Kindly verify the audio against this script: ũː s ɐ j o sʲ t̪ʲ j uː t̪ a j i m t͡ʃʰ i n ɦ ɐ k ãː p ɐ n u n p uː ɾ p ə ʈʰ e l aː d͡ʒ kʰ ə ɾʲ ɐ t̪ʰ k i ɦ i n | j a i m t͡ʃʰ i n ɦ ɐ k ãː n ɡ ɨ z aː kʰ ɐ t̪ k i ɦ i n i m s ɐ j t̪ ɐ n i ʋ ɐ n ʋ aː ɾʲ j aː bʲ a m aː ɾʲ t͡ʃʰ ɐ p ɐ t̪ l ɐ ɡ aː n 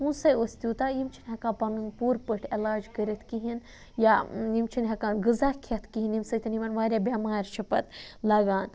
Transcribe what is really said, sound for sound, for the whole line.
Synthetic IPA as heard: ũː s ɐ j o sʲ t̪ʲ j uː t̪ a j i m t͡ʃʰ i n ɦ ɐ k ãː p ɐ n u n p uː ɾ p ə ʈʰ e l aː d͡ʒ k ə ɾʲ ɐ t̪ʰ k i ɦ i n | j a i m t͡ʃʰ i n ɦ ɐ k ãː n ɡ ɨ z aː kʰ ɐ t̪ k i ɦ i n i m s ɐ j t̪ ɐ n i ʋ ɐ n ʋ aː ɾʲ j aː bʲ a m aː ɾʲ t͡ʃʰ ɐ p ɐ t̪ l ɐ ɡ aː n